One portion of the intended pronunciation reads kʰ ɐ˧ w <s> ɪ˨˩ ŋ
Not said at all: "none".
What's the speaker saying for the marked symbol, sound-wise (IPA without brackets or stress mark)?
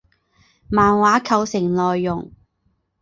s